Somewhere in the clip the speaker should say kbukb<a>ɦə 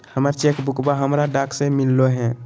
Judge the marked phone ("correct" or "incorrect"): correct